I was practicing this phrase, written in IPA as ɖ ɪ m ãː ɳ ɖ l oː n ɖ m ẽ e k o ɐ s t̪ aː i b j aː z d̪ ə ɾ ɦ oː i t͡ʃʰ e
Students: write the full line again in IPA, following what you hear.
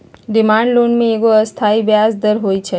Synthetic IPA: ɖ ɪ m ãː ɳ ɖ l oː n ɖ m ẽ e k o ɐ s t̪ʰ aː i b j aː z d̪ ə ɾ ɦ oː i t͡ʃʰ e